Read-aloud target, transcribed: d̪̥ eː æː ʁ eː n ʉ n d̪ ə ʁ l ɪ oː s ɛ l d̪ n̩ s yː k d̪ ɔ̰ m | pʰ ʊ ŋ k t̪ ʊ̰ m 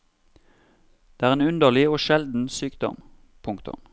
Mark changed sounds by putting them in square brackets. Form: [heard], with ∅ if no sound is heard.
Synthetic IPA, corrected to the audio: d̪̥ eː æː ʁ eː n ʉ n d̪ ə ʁ l ɪ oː [ʃ] ɛ l d̪ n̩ s yː k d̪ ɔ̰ m | pʰ ʊ ŋ k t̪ ʊ̰ m